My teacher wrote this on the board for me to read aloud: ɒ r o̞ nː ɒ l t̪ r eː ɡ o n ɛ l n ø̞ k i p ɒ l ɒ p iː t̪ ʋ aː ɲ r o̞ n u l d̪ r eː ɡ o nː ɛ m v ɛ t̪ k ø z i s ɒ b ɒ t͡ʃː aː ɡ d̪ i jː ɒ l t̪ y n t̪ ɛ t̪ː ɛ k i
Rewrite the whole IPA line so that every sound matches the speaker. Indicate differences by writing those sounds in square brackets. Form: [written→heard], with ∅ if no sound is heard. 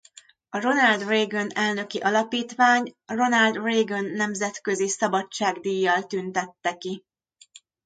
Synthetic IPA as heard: ɒ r o̞ [nː→n] ɒ l [t̪→d̪] r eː ɡ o n ɛ l n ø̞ k i [p→ʔ] ɒ l ɒ p iː t̪ ʋ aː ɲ r o̞ n [u→ɒ] l d̪ r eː ɡ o nː ɛ m [v→z] ɛ t̪ k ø z i s ɒ b ɒ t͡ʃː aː ɡ d̪ i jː ɒ l t̪ y n t̪ ɛ t̪ː ɛ k i